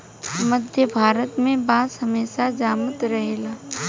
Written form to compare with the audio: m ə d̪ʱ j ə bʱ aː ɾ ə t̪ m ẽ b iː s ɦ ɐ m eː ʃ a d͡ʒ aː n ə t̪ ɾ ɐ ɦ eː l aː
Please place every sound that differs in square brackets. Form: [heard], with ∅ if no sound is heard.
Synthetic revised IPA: m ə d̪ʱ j ə bʱ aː ɾ ə t̪ m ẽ b [aː] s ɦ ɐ m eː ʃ a d͡ʒ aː [m] ə t̪ ɾ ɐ ɦ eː l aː